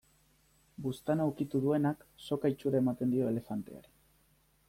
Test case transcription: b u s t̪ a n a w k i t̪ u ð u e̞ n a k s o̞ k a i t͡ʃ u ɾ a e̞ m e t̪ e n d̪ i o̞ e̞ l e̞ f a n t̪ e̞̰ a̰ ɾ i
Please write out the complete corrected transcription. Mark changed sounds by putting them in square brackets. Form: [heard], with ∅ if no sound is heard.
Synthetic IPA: b u s t̪ a n a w k i t̪ u ð u e̞ n a k s o̞ k a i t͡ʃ u ɾ a e̞ m [a] t̪ e n d̪ i o̞ e̞ l e̞ f a n t̪ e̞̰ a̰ ɾ i